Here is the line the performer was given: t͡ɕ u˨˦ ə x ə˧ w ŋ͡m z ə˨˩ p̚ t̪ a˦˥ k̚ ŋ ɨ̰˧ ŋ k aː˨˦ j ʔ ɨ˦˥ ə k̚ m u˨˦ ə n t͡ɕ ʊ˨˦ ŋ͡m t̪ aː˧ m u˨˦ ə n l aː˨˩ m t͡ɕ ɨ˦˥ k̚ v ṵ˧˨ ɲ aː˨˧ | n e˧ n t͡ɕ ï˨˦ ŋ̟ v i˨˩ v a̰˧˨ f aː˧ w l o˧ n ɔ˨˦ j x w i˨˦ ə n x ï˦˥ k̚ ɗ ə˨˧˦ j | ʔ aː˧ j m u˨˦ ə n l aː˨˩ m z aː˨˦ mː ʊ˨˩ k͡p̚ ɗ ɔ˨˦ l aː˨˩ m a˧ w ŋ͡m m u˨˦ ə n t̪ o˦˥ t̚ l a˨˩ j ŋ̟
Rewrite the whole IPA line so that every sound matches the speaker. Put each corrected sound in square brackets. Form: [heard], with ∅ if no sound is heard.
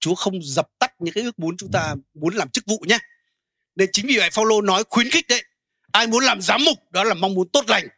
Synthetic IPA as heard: t͡ɕ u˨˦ ə x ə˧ w ŋ͡m z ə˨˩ p̚ t̪ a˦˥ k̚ [ɲ] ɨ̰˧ ŋ k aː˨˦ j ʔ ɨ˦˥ ə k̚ m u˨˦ ə n t͡ɕ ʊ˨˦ ŋ͡m t̪ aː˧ m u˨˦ ə n l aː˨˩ m t͡ɕ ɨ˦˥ k̚ v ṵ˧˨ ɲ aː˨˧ | n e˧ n t͡ɕ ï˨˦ ŋ̟ v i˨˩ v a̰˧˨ f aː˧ w l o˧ n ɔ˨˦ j x w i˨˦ ə n x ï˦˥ k̚ ɗ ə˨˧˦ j | ʔ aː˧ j m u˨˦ ə n l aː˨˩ m z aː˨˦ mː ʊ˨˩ k͡p̚ ɗ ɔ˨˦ l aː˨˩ m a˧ w ŋ͡m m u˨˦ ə n t̪ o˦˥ t̚ l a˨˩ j ŋ̟